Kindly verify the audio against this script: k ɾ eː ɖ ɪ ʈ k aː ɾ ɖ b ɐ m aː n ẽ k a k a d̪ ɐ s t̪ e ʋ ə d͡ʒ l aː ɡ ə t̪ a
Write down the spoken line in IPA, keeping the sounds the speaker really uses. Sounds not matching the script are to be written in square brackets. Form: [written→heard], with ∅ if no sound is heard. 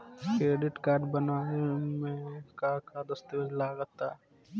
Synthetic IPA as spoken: k ɾ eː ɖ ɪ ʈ k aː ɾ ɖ b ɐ [m→n] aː [n→m] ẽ k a k a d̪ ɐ s t̪ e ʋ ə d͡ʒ l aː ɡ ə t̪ a

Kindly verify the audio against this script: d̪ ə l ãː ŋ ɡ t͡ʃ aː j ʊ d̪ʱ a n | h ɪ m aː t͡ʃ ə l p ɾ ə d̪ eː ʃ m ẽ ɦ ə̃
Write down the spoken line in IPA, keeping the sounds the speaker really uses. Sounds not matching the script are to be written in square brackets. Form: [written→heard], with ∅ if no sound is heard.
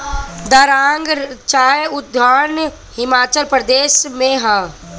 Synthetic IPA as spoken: d̪ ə [l→ɾ] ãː ŋ ɡ t͡ʃ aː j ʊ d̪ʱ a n | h ɪ m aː t͡ʃ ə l p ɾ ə d̪ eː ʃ m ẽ ɦ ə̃

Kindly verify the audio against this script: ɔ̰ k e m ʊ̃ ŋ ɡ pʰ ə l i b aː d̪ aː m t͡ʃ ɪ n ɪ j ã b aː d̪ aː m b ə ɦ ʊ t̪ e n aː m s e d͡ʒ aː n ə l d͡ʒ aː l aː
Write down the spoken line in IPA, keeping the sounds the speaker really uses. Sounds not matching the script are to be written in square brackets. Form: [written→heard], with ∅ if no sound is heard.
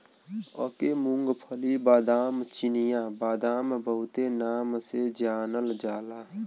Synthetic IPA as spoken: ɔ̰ k e m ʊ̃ ŋ ɡ pʰ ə l i b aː d̪ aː m t͡ʃ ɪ n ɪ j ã b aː d̪ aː m b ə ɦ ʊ t̪ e n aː m s e d͡ʒ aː n ə l d͡ʒ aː l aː

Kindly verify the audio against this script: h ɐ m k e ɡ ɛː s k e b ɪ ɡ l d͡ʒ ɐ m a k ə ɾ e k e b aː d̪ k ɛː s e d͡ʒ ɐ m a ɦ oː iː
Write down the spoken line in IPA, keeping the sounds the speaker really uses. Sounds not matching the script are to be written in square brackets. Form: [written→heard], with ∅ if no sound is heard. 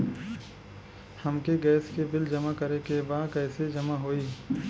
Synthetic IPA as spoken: h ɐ m k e ɡ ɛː s k e b ɪ [ɡ→∅] l d͡ʒ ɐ m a k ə ɾ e k e b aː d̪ k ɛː s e d͡ʒ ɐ m a ɦ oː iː

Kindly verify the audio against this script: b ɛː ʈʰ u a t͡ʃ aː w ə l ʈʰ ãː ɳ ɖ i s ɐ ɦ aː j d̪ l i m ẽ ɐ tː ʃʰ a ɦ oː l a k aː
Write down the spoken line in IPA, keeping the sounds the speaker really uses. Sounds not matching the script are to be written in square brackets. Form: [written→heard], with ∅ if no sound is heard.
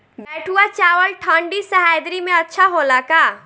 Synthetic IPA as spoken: b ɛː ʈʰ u a t͡ʃ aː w ə l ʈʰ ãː ɳ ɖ i s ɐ ɦ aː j d̪ [l→ɾ] i m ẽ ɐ tː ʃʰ a ɦ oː l a k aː

